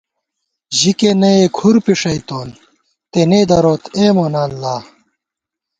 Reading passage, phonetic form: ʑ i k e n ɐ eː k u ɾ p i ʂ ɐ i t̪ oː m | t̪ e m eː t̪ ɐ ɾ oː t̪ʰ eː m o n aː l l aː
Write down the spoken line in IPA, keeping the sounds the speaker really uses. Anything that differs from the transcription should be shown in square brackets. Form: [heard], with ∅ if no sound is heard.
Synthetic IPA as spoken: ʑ i k e n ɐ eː [kʰ] u ɾ p i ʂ ɐ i t̪ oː [n] | t̪ e [n] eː [d̪] ɐ ɾ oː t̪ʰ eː m o n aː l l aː